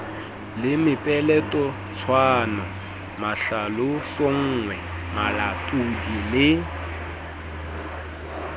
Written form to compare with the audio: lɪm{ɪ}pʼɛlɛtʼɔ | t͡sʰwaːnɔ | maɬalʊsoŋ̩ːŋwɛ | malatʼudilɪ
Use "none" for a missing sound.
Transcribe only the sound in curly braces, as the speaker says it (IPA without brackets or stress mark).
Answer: ɪ